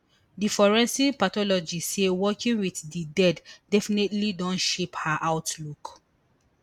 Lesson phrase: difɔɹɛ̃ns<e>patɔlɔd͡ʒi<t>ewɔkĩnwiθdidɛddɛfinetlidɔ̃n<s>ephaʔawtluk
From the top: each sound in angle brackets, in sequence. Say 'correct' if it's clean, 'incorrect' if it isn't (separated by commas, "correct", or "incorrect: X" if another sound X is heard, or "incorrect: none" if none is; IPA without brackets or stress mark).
incorrect: i, incorrect: s, incorrect: ʃ